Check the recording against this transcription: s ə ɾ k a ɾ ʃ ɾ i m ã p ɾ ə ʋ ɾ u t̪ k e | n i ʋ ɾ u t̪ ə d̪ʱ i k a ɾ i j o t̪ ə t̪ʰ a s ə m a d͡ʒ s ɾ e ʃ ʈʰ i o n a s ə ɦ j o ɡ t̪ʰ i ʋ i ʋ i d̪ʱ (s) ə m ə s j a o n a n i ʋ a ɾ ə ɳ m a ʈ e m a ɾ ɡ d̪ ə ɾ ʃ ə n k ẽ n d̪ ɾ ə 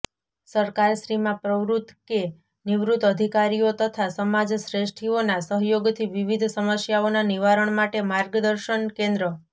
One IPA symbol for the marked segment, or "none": s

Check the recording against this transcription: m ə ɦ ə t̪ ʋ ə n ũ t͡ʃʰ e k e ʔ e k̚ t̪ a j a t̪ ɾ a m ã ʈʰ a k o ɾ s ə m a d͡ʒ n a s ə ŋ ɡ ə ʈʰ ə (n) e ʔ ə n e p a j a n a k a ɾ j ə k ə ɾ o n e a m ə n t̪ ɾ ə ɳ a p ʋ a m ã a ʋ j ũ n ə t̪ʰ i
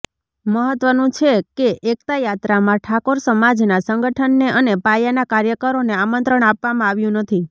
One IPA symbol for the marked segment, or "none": nː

